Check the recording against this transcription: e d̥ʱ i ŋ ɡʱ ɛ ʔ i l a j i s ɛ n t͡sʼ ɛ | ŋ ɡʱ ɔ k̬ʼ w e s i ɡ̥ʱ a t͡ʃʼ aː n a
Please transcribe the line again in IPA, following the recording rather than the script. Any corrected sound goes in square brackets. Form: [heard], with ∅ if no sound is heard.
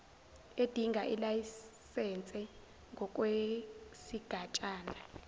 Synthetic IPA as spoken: e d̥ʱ i ŋ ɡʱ [a] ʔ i l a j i s ɛ n t͡sʼ ɛ | ŋ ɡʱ ɔ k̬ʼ w e s i ɡ̥ʱ a t͡ʃʼ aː n a